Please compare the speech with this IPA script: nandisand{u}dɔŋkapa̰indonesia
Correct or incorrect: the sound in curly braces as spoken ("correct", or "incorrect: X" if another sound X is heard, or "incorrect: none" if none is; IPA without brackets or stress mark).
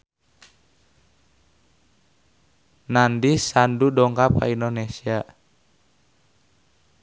correct